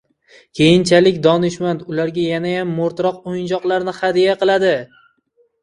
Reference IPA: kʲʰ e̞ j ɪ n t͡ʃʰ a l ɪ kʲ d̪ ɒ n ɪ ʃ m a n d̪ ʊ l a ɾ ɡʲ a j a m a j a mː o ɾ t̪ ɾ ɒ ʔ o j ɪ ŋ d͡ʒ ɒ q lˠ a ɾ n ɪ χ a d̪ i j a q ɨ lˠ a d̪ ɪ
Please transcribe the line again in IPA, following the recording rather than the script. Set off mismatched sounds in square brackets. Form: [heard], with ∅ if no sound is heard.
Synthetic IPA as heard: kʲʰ e̞ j ɪ n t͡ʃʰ a l ɪ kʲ d̪ ɒ n ɪ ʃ m a n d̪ ʊ l a ɾ ɡʲ a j a [n] a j a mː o ɾ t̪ ɾ ɒ [q] o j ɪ [n] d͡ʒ ɒ q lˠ a ɾ n ɪ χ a d̪ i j a q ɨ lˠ a d̪ ɪ